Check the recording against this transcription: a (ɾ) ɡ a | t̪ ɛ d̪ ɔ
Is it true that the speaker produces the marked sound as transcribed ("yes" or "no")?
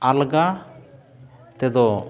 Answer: no